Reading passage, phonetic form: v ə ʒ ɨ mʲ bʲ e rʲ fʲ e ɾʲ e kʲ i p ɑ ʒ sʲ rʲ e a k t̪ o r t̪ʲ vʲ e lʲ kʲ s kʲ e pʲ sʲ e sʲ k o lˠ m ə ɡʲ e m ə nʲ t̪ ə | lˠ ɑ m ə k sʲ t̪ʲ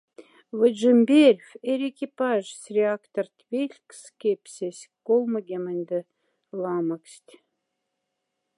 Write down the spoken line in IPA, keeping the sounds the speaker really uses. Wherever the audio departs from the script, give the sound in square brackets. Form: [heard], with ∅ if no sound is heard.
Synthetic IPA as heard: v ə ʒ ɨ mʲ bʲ e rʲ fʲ e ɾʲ e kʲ i p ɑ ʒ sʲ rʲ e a k t̪ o r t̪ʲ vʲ e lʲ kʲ s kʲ e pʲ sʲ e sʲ k o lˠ m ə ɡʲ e m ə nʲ [d̪] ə | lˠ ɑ m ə k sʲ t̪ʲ